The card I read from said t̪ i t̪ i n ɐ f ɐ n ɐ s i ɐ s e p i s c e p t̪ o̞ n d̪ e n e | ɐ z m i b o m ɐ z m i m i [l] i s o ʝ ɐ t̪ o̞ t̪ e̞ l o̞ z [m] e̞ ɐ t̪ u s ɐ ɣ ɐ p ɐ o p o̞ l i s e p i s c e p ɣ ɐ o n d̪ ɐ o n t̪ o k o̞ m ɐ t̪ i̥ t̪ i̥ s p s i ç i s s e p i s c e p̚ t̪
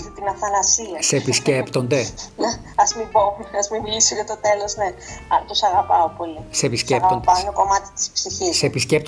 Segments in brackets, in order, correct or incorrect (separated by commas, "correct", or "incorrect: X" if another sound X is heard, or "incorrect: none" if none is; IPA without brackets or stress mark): correct, incorrect: n